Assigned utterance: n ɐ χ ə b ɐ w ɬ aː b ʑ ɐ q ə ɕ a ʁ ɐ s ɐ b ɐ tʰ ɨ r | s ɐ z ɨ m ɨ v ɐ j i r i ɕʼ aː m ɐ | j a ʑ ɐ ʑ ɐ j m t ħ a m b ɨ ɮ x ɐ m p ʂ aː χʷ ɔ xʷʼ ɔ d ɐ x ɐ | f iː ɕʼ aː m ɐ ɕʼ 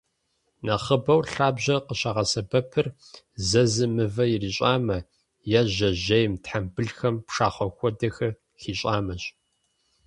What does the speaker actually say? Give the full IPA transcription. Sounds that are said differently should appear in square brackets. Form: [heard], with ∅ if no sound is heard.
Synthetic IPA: n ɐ χ ə b ɐ w ɬ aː b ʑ ɐ q ə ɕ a ʁ ɐ s ɐ b ɐ [pʰ] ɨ r | [z] ɐ z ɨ m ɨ v ɐ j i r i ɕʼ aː m ɐ | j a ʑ ɐ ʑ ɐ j m t ħ a m b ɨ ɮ x ɐ m p ʂ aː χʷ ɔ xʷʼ ɔ d ɐ x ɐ | [x] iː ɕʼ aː m ɐ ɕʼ